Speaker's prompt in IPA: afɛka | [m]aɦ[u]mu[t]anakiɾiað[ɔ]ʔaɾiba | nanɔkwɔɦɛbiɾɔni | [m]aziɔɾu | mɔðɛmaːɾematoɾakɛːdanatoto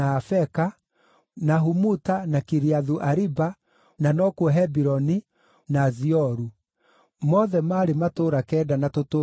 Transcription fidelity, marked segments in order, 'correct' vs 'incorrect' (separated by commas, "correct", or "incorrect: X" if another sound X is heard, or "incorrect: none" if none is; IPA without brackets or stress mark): incorrect: n, correct, correct, incorrect: u, incorrect: n